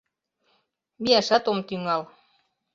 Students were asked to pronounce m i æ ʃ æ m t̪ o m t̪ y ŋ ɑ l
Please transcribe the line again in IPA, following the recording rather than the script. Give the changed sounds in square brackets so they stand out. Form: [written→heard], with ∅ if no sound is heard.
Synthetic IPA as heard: m i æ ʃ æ [m→∅] t̪ o m t̪ y ŋ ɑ l